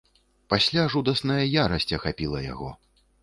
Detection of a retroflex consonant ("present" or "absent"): present